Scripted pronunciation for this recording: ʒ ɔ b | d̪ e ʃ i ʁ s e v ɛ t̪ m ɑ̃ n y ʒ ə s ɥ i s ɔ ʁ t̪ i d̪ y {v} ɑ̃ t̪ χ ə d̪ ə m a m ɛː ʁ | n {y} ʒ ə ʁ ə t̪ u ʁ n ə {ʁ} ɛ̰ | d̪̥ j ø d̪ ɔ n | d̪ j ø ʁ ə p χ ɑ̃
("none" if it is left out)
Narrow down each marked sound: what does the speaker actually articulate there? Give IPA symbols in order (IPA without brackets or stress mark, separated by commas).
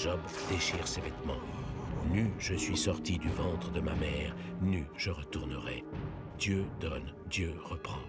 v, y, ʁ